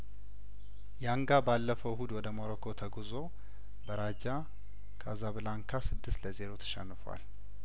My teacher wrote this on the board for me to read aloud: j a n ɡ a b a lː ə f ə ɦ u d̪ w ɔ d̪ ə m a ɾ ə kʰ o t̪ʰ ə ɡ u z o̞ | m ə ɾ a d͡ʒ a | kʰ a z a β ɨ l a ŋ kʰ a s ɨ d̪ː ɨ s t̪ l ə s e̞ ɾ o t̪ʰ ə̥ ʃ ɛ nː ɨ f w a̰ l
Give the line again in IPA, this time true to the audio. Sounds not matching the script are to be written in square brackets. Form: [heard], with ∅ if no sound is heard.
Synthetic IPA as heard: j a [ŋ] ɡ a b a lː ə f ə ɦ u d̪ w ɔ d̪ ə m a ɾ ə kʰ o t̪ʰ ə ɡ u z o̞ | [b] ə ɾ a d͡ʒ a | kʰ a z a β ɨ l a ŋ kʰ a s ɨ d̪ː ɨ s t̪ l ə [z] e̞ ɾ o t̪ʰ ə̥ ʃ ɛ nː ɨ f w a̰ l

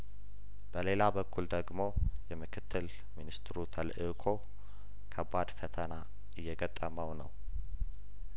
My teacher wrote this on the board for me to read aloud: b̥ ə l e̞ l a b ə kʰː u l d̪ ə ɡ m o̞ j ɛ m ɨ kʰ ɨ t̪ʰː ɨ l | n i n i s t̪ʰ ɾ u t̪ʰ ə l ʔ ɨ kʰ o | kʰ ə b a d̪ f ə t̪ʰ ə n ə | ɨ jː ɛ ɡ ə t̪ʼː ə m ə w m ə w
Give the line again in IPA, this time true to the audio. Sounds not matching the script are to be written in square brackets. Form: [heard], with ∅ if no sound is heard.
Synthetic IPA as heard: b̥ ə l e̞ l a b ə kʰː u l d̪ ə ɡ m o̞ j ɛ m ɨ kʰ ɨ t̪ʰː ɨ l | [m] i n i s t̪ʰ ɾ u t̪ʰ ə l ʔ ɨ kʰ o | kʰ ə b a d̪ f ə t̪ʰ ə n [a] | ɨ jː ɛ ɡ ə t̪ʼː ə m ə w [n] ə w

